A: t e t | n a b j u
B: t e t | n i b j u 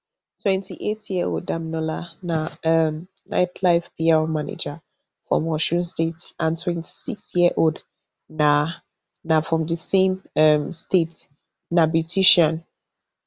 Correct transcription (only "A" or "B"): A